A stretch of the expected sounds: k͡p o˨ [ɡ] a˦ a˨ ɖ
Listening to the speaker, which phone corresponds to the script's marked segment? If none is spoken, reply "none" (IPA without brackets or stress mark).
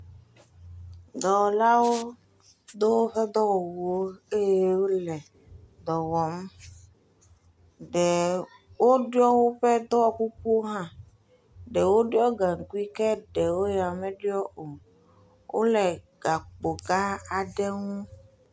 ɡ